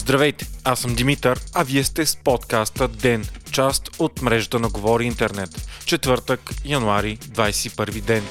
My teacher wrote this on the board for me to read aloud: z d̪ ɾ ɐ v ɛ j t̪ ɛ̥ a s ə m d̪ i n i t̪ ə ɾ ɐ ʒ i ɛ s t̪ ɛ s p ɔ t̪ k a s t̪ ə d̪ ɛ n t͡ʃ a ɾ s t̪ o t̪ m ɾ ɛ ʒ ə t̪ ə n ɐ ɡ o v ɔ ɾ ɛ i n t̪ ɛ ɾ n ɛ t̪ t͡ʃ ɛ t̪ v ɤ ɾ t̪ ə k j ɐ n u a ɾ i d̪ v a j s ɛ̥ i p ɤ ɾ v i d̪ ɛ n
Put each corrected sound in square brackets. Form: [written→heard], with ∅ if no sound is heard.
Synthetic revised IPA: z d̪ ɾ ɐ v ɛ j t̪ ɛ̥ a s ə m d̪ i [n→m] i t̪ ə ɾ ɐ [ʒ→v] i ɛ s t̪ ɛ s p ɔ t̪ k a s t̪ ə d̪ ɛ n t͡ʃ a [ɾ→∅] s t̪ o t̪ m ɾ ɛ ʒ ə t̪ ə n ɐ ɡ o v ɔ ɾ [ɛ→i] i n t̪ ɛ ɾ n ɛ t̪ t͡ʃ ɛ t̪ v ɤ ɾ t̪ ə k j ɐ n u a ɾ i d̪ v a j s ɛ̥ i p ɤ ɾ v i d̪ ɛ n